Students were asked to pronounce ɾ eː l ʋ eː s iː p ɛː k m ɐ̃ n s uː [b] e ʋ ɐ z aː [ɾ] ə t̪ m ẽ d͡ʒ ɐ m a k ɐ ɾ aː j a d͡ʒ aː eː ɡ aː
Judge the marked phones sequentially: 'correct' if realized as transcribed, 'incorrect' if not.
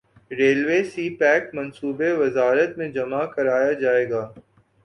correct, correct

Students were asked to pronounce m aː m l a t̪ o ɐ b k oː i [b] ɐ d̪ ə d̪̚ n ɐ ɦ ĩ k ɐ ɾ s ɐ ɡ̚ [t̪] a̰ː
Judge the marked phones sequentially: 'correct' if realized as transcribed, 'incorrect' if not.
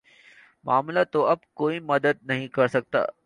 incorrect: m, correct

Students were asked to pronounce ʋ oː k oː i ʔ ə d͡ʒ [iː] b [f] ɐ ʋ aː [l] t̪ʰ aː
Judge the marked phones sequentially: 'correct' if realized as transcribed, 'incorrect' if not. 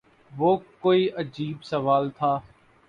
correct, incorrect: s, correct

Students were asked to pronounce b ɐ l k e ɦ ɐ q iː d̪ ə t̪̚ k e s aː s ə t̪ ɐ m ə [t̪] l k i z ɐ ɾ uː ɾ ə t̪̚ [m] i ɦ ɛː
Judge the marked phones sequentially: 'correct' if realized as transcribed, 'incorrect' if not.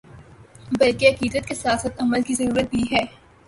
incorrect: none, incorrect: b

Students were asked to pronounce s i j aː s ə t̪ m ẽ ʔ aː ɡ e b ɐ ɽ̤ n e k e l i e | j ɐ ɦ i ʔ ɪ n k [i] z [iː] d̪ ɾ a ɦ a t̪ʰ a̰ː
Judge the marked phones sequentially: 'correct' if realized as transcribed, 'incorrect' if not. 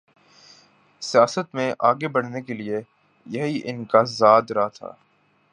incorrect: a, incorrect: aː

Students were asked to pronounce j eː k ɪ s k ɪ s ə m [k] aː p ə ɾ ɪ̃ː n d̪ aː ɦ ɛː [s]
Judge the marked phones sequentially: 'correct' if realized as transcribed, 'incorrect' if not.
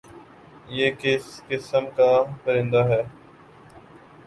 correct, incorrect: none

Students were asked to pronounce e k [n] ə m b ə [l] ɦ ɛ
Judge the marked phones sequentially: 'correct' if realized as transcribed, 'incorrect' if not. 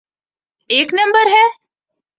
correct, incorrect: ɾ

